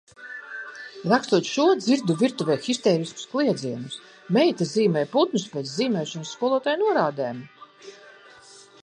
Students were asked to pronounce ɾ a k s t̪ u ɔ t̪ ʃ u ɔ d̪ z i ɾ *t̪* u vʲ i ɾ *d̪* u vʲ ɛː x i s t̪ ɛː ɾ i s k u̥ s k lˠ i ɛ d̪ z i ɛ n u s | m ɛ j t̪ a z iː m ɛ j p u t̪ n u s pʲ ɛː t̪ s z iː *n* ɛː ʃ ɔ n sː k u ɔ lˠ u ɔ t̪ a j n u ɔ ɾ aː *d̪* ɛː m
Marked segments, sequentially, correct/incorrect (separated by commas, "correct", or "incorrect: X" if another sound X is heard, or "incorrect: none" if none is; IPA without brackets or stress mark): incorrect: d̪, incorrect: t̪, incorrect: m, correct